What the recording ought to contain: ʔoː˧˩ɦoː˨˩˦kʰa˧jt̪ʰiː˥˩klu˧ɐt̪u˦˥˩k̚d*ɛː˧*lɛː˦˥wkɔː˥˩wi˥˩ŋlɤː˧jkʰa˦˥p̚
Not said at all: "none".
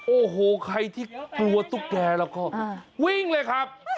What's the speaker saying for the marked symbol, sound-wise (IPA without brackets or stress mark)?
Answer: ɛː˧